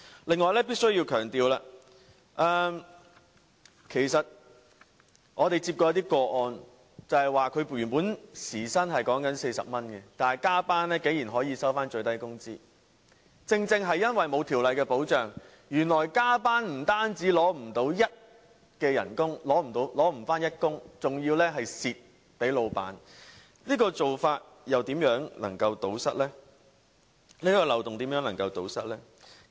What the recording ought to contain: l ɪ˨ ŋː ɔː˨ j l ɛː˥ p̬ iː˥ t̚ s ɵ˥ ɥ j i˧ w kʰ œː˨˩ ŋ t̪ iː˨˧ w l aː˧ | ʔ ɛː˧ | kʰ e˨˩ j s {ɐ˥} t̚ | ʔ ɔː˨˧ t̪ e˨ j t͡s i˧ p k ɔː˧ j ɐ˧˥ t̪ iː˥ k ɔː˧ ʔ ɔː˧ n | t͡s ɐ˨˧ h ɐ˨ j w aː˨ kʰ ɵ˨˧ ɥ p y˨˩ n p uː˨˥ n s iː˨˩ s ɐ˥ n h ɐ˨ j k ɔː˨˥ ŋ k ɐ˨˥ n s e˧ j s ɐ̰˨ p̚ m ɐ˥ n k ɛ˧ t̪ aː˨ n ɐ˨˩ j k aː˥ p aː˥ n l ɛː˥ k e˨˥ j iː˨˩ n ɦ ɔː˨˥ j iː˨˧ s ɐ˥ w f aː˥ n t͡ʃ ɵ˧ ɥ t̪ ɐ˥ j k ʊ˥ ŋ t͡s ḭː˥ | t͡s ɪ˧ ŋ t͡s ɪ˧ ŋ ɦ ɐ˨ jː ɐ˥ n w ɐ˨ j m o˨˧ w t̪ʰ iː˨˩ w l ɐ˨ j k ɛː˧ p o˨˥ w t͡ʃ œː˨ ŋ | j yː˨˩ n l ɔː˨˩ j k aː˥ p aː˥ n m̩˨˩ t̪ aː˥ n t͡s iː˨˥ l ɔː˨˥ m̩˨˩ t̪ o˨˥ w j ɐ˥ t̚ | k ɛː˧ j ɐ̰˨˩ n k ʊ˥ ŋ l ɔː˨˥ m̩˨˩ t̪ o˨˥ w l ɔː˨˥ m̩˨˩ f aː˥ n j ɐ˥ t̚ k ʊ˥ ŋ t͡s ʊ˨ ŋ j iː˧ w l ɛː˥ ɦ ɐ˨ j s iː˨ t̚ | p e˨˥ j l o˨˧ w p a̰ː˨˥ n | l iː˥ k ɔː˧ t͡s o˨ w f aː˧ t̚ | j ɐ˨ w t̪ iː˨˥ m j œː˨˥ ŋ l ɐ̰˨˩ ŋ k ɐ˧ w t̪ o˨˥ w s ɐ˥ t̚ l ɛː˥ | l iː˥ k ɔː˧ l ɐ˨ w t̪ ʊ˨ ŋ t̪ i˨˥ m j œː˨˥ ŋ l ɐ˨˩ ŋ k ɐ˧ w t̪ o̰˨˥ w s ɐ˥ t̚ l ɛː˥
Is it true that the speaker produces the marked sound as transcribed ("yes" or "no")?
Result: no